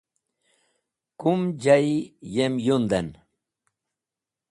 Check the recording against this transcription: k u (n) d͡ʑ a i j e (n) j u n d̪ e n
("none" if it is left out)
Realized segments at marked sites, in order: m, m

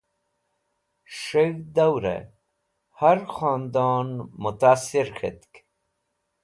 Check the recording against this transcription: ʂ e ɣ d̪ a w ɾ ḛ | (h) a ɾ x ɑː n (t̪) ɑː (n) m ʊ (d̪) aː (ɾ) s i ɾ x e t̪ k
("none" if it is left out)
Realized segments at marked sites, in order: h, d̪, n, t̪, none

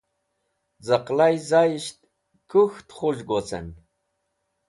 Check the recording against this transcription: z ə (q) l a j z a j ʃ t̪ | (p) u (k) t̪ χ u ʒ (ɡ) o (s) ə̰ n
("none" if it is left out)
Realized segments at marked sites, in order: q, k, x, ɡ, t͡s

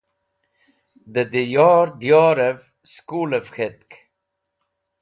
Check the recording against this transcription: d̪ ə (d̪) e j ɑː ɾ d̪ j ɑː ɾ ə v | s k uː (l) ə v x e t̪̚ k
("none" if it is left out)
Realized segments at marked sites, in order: d̪, l

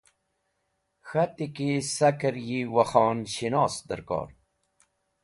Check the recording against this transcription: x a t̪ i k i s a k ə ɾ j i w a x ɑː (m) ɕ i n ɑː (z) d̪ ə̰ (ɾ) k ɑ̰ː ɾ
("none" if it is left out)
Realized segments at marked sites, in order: n, s, ɾ

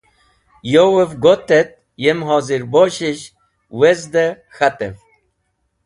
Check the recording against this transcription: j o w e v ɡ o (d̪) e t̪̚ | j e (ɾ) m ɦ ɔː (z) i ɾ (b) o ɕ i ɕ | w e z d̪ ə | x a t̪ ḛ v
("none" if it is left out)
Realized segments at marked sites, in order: t̪, none, z, b

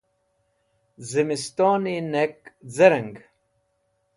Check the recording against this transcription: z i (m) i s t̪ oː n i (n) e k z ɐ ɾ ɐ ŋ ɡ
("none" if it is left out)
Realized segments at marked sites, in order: m, n

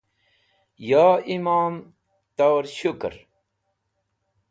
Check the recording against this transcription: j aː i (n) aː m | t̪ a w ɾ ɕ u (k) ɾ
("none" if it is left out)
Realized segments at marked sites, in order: m, k

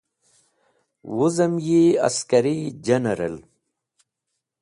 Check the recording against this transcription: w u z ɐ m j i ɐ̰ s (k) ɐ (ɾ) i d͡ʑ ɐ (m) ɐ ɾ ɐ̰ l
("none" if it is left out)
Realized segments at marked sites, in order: k, ɾ, n

